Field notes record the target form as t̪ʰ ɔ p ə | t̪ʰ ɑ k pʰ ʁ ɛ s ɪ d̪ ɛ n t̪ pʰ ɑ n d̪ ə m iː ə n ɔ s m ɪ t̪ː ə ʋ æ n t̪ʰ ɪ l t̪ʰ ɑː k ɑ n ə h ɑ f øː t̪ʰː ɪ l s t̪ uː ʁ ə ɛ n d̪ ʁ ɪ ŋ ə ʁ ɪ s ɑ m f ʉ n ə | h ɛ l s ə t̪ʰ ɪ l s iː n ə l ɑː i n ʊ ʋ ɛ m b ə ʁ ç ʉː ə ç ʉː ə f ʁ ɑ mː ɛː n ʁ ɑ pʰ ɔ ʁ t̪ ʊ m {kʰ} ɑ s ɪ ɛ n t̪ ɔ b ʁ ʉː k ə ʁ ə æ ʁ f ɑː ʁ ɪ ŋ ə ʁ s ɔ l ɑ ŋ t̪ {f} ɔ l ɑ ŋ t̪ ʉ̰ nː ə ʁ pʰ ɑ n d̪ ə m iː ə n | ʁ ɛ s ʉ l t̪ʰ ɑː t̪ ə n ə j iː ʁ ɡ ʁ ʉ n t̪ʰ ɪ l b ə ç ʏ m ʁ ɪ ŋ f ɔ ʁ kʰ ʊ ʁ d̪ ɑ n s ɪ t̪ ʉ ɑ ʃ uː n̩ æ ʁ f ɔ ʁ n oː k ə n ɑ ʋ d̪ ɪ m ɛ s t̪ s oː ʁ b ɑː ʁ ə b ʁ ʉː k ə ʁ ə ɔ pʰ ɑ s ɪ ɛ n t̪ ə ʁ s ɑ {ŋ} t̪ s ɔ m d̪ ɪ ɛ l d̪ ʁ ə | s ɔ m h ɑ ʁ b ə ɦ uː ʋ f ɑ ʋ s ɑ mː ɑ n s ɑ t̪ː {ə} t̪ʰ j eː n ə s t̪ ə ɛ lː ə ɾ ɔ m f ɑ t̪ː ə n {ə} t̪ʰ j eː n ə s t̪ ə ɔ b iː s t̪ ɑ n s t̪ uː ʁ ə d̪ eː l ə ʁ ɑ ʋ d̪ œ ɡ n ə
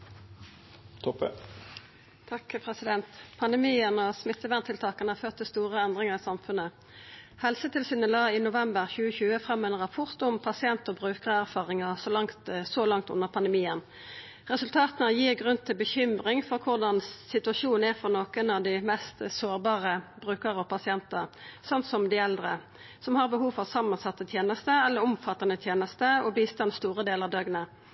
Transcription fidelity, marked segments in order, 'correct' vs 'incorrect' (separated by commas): incorrect, incorrect, incorrect, correct, correct